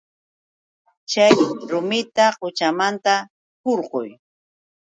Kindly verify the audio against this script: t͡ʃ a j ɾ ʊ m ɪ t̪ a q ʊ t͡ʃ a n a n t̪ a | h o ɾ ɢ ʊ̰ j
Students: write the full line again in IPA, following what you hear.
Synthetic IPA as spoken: t͡ʃ a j ɾ ʊ m ɪ t̪ a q ʊ t͡ʃ a m a n t̪ a | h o ɾ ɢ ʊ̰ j